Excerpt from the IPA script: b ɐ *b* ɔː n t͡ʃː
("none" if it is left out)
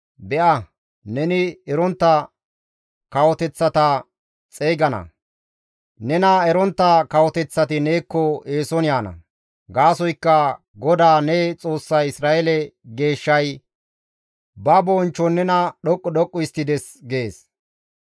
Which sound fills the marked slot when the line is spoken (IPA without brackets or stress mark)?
b